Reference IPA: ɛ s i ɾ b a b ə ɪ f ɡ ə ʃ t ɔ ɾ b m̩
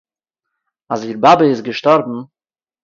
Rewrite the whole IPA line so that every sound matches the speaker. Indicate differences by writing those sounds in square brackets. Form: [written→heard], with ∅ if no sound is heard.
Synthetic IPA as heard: [ɛ→a] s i ɾ b a b ə ɪ [f→s] ɡ ə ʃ t ɔ ɾ b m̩